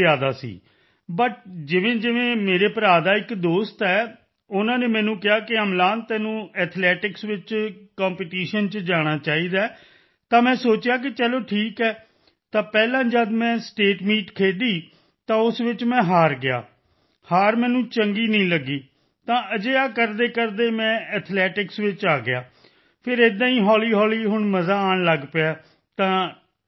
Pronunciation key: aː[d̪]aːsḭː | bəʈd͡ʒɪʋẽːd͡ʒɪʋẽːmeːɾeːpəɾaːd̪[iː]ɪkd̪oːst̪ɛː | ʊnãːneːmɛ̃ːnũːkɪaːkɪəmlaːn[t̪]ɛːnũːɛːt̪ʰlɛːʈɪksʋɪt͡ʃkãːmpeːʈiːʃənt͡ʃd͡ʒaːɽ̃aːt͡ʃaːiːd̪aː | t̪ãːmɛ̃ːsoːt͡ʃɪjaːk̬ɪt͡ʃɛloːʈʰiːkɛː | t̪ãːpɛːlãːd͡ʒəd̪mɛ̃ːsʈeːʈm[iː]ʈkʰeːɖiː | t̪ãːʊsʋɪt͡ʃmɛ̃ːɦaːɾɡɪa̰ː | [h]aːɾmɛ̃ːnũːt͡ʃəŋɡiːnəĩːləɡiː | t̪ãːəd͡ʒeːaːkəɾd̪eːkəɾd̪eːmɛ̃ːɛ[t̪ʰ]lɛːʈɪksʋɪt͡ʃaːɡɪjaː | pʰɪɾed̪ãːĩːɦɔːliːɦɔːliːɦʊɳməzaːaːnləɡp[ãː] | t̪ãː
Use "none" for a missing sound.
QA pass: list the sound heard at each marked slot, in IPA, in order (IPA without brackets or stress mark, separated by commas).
d̪, aː, t̪, iː, h, t̪ʰ, aː